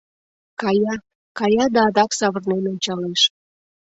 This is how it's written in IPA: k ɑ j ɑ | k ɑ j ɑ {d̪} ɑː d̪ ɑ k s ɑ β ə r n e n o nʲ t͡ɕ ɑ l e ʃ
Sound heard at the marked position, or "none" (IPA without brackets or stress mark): d̪